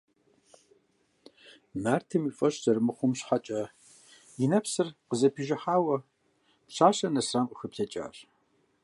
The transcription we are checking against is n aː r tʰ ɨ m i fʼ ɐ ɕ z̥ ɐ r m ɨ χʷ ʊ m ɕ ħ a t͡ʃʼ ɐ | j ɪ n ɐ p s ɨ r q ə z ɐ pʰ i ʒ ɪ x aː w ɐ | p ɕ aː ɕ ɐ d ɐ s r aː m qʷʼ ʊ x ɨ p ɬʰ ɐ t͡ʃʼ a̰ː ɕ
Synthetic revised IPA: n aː r tʰ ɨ m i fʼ ɐ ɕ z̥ ɐ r m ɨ χʷ ʊ m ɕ ħ a t͡ʃʼ ɐ | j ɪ n ɐ p s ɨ r q ə z ɐ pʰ i ʒ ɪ ħ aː w ɐ | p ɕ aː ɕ ɐ n ɐ s r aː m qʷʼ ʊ x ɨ p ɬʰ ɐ t͡ʃʼ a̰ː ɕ